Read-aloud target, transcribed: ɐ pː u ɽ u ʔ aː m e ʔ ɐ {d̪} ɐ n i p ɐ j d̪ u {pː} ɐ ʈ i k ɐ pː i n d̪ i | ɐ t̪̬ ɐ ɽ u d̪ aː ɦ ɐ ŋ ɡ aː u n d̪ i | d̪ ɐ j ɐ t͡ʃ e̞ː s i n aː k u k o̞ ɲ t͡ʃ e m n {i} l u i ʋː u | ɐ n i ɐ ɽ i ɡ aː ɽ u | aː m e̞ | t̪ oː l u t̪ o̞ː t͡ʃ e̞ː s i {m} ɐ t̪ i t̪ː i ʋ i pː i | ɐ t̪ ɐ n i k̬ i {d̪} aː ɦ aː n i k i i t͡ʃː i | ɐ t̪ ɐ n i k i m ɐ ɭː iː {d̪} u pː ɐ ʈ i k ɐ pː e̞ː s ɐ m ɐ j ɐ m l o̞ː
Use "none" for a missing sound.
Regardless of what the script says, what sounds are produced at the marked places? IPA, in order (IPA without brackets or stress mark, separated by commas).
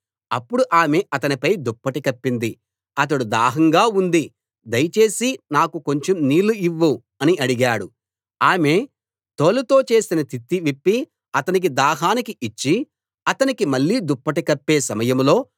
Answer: t̪, pː, iː, n, d̪, d̪